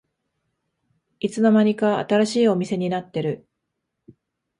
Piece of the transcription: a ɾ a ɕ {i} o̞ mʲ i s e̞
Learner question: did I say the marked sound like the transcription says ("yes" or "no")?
no